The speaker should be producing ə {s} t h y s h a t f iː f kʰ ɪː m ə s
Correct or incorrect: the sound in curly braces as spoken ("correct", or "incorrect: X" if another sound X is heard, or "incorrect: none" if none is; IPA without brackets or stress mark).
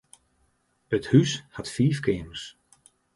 incorrect: none